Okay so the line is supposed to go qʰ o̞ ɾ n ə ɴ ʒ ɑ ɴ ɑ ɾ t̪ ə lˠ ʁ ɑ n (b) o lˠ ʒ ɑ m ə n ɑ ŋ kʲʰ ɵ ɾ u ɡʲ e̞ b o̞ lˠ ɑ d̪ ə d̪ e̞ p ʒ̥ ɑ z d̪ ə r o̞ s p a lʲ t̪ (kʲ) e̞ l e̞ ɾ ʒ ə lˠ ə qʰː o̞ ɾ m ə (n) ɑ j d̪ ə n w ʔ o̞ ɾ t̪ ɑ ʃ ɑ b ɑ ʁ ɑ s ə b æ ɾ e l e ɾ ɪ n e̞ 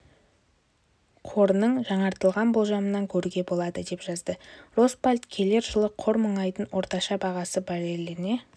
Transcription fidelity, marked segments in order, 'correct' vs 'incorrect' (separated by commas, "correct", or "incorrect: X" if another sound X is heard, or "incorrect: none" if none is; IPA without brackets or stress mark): correct, incorrect: kʲʰ, incorrect: ɴ